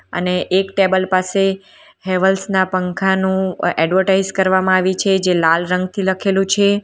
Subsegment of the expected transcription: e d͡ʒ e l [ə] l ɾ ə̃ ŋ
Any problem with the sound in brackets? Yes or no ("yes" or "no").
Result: yes